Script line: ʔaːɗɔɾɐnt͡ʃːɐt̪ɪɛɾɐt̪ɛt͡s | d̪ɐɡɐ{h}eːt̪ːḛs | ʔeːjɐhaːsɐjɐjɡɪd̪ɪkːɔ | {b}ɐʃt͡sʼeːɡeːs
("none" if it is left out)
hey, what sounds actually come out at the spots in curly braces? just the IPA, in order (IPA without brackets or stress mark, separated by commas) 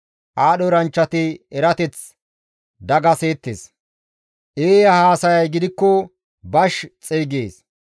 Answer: s, b